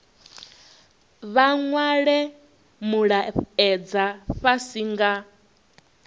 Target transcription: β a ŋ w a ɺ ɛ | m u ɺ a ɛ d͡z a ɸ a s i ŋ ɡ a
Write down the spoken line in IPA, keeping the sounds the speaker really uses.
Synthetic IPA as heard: β a ŋ w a ɺ ɛ | m u ɺ a ɛ d͡z a ɸ a s i ŋ ɡ a